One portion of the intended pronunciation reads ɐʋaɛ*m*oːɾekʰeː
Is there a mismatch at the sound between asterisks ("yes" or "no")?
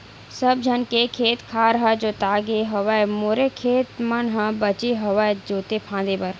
no